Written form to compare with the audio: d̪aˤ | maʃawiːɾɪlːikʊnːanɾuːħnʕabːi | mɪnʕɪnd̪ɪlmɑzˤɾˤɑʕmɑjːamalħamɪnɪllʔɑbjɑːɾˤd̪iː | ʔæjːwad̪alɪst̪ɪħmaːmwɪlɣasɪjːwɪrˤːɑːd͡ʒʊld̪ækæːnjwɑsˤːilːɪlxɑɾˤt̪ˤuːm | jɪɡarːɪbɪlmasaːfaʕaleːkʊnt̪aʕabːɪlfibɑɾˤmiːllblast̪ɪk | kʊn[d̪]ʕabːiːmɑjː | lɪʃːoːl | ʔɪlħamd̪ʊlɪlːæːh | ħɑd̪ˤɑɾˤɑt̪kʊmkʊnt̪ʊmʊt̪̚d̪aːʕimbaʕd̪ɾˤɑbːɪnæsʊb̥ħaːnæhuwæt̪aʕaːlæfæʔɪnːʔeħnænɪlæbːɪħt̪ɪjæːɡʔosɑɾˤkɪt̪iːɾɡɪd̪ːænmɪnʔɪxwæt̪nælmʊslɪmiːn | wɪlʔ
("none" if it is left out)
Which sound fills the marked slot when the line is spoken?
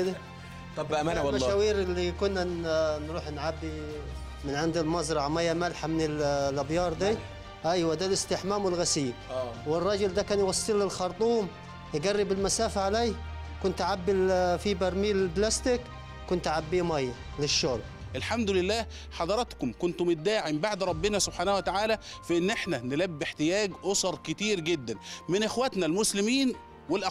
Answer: t̪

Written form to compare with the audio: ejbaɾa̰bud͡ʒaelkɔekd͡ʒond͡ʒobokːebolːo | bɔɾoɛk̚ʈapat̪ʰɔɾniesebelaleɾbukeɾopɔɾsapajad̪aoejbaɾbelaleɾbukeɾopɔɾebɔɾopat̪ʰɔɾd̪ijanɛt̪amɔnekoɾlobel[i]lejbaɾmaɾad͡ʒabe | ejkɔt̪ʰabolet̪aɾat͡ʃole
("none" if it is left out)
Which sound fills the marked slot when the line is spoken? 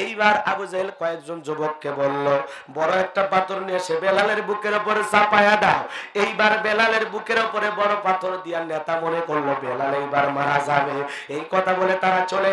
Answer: a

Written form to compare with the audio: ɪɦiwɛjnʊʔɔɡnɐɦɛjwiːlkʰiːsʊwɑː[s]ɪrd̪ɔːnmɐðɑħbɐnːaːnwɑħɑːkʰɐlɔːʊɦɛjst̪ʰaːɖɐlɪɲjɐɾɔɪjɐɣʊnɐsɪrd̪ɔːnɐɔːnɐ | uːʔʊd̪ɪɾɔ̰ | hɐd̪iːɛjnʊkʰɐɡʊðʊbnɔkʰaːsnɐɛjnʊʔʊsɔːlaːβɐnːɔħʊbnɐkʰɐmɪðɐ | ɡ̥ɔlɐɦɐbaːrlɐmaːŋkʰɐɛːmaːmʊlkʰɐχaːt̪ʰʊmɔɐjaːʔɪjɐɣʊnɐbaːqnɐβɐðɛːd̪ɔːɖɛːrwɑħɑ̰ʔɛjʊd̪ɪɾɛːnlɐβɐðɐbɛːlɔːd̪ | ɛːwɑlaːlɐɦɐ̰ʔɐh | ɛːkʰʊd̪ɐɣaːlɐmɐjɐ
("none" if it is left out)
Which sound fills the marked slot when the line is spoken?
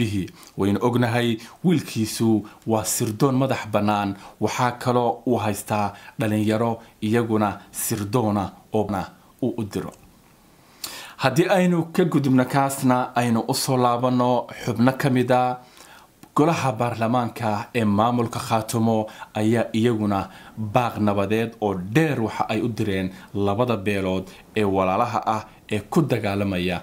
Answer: s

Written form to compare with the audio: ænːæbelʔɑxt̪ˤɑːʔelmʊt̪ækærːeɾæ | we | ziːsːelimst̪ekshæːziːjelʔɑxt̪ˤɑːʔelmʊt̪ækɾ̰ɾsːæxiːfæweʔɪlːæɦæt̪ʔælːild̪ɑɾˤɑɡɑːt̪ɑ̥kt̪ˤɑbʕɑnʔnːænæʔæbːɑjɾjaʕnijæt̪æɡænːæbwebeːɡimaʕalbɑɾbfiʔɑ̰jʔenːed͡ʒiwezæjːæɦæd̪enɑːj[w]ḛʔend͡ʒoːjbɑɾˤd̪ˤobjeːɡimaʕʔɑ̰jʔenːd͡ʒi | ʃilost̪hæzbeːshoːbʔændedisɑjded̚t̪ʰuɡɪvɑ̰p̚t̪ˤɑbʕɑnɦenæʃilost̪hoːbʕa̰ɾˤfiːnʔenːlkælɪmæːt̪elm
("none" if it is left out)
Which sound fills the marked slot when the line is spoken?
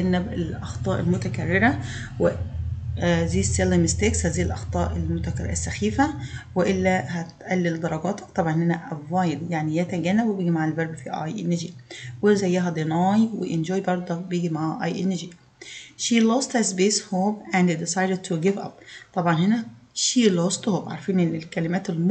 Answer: w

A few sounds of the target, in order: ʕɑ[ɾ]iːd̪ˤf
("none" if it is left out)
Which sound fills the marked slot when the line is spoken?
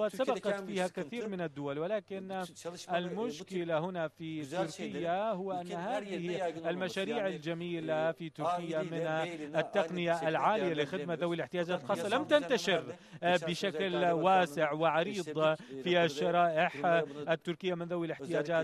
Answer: ɾ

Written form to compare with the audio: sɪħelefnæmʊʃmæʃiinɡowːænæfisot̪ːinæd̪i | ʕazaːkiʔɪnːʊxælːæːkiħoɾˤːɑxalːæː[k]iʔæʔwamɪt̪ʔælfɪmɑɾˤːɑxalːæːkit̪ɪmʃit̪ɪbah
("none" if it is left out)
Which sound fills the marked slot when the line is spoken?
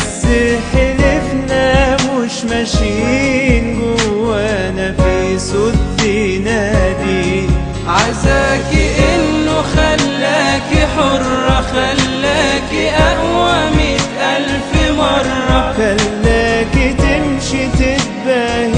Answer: k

